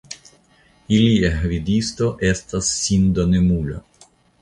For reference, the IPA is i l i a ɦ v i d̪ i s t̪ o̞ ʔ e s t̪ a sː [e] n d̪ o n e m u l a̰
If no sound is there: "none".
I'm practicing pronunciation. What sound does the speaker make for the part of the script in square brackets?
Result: i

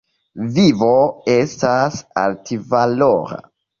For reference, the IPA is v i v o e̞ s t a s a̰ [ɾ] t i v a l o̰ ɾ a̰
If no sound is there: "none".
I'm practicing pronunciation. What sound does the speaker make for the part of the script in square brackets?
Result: l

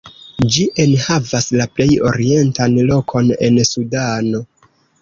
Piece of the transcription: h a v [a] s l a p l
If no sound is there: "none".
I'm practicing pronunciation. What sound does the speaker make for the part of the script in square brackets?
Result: a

